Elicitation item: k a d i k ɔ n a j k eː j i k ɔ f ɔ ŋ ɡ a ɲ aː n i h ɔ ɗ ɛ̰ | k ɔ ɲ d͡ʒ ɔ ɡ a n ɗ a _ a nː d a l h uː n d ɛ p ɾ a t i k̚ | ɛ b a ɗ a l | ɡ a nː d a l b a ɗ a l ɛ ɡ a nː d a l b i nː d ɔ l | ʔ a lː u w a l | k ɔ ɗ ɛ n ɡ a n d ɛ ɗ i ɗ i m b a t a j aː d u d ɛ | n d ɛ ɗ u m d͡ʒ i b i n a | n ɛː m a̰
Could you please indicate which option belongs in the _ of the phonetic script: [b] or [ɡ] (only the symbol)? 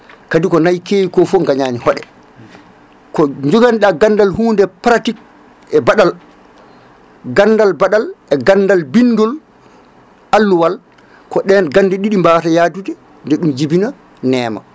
ɡ